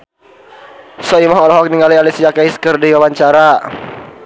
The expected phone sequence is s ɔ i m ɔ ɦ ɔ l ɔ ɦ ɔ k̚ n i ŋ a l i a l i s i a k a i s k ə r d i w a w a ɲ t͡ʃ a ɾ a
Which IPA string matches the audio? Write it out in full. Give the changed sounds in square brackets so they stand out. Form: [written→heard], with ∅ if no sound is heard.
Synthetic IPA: s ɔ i m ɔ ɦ ɔ l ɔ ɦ ɔ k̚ n i ŋ a l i a l i s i a k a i s k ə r d i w a w a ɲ t͡ʃ a ɾ a